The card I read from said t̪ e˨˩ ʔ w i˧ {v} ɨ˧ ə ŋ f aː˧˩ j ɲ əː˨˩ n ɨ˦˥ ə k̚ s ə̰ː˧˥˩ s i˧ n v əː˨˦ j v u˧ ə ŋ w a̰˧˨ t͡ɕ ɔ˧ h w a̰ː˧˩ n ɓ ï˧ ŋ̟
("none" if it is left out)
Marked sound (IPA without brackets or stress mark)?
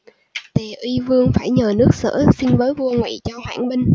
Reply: v